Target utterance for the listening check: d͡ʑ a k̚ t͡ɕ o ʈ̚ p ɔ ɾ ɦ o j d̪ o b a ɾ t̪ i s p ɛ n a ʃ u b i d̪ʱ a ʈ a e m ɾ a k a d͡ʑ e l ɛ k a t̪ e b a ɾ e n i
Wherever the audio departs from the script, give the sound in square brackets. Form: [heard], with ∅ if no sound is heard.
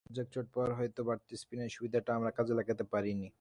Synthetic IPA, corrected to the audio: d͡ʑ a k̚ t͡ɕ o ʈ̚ p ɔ ɾ ɦ [ɔ] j [t̪] o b a ɾ t̪ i s p [i] n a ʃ u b i d̪ʱ a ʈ a [a] m ɾ a k a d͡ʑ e l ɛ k a t̪ e [p] a ɾ [i] n i